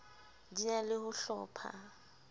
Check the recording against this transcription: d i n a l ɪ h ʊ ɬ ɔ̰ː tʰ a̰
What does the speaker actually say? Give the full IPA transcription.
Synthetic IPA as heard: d i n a l ɪ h ʊ ɬ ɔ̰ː pʰ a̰

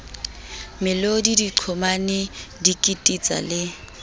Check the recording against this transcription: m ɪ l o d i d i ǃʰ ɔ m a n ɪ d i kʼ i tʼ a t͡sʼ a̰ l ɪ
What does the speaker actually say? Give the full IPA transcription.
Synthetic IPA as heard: m ɪ l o d i d i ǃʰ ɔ m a n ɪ d i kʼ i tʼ i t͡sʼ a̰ l ɪ

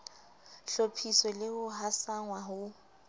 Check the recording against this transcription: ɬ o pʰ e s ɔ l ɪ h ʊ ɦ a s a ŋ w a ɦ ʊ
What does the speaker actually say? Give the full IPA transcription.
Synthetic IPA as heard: ɬ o pʰ i s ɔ l ɪ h ʊ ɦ a s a ŋ w a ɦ ʊ

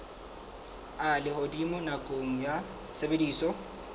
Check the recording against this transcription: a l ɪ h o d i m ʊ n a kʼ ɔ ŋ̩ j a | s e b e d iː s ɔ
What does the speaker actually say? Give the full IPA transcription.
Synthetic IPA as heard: a l ɪ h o d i m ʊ n a kʼ o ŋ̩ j a | s e b e d iː s ɔ

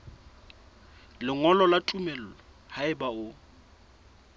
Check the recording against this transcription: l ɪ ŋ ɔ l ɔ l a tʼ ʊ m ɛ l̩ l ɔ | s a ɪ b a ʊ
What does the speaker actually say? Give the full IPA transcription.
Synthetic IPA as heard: l ɪ ŋ ɔ l ɔ l a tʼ u m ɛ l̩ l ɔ | h a ɪ b a ʊ

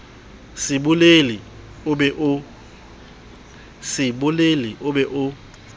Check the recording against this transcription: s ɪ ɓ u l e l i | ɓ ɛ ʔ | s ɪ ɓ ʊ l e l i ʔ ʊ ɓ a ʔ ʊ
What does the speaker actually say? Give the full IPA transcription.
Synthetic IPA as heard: s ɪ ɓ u l e l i | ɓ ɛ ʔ | s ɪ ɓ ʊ l e l i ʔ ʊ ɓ ɛ ʔ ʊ

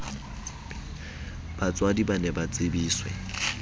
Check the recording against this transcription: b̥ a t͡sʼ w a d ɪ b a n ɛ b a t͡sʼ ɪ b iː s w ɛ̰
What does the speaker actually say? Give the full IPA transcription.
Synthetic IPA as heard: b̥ a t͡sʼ w a d i b a n ɛ b a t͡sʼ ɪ b iː s w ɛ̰

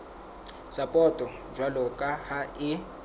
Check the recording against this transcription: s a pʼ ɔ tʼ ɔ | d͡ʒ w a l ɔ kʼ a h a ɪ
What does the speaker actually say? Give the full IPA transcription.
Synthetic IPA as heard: s a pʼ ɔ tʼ ɔ | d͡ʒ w a l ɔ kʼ a h a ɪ

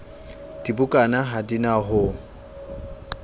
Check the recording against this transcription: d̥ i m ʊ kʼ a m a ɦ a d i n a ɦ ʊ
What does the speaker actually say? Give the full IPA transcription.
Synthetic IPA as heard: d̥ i b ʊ kʼ a n a ɦ a d i n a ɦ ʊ

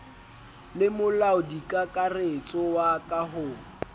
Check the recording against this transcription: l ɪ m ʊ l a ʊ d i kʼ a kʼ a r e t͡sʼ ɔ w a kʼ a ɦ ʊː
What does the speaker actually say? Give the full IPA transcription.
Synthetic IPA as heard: l ɪ m ʊ l a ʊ d i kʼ a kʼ a r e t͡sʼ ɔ w a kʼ a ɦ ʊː

